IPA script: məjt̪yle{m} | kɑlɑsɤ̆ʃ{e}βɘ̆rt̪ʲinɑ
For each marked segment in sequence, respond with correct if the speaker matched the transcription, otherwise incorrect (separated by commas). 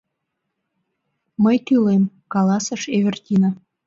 correct, correct